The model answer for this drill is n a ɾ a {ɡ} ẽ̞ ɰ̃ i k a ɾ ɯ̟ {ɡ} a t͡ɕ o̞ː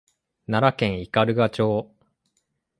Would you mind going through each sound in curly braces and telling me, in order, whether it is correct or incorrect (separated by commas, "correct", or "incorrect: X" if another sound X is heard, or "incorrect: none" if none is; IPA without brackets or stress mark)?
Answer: incorrect: k, correct